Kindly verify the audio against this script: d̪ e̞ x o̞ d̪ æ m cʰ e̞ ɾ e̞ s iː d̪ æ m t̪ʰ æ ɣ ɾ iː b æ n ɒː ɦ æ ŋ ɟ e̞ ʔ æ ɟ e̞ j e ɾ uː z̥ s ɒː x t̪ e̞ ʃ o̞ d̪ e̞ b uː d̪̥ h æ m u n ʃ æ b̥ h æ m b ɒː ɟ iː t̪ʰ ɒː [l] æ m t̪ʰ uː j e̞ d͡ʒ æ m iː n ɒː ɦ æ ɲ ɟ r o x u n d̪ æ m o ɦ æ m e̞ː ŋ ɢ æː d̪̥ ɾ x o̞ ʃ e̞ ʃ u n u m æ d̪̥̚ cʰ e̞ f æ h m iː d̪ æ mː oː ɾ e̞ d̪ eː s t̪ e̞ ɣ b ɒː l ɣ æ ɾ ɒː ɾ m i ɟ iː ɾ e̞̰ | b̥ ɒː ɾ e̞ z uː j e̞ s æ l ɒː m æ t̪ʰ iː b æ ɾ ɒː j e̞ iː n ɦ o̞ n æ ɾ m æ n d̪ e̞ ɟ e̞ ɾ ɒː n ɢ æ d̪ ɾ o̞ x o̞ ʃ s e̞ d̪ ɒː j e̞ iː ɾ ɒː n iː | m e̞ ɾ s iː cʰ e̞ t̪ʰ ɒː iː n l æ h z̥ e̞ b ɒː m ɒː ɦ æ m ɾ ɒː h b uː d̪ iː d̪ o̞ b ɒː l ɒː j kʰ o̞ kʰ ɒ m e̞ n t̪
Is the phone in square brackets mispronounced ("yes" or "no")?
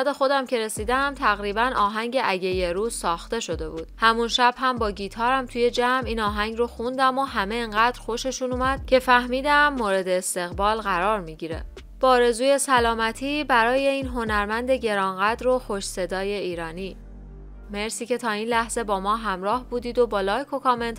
yes